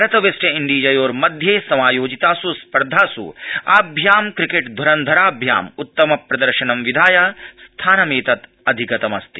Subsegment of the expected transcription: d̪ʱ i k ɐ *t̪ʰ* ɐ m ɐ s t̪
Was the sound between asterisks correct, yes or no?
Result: no